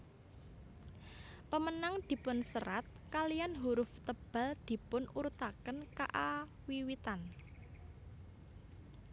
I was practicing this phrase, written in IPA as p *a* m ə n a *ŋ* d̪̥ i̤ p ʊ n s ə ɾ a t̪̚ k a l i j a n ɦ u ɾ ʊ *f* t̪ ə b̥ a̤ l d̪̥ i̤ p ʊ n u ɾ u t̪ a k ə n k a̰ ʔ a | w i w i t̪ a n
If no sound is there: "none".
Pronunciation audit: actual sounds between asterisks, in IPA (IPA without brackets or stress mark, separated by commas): ə, ŋ, f